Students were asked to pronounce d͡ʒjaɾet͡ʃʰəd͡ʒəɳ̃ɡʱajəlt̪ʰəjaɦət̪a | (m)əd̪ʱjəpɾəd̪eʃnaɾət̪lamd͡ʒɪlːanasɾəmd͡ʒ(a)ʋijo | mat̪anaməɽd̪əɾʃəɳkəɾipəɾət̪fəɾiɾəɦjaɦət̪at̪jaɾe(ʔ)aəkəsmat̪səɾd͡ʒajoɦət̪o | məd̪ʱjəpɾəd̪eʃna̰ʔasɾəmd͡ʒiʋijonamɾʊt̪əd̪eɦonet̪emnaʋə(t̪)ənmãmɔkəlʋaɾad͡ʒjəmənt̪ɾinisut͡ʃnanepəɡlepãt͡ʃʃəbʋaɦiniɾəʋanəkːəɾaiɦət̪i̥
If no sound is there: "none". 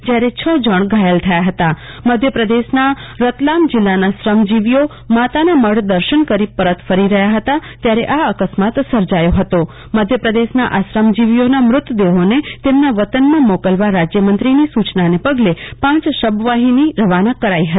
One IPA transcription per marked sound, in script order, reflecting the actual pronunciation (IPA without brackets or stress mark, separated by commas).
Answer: m, i, ʔ, t̪